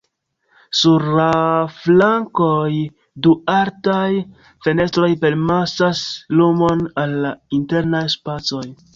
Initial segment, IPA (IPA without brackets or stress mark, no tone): s